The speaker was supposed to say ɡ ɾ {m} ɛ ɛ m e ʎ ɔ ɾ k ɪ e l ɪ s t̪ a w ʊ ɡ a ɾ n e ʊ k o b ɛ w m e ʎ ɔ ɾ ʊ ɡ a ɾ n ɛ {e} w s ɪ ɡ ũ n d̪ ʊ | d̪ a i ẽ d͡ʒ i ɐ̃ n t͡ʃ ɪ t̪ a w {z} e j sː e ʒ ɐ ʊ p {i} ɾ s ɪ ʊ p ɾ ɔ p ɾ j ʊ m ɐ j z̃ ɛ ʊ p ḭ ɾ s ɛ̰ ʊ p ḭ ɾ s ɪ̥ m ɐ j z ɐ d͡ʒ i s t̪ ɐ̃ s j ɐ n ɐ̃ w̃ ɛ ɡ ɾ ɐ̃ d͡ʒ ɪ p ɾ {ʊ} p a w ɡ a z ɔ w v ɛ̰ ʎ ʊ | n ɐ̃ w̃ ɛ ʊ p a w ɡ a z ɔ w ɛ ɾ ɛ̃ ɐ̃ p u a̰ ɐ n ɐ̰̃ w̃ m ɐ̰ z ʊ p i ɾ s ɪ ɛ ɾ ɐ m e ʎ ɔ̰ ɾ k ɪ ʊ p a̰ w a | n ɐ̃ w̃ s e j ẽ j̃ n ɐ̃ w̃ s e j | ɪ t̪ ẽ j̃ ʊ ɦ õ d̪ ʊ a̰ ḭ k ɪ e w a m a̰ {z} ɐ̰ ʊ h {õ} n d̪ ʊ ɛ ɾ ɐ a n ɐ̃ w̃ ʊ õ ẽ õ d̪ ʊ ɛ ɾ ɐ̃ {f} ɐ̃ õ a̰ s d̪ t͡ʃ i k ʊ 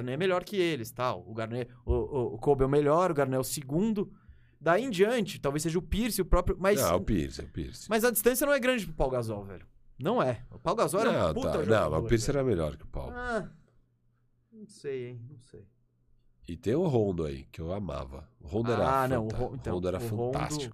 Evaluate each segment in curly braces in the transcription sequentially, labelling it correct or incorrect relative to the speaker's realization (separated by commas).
incorrect, incorrect, incorrect, correct, correct, incorrect, correct, correct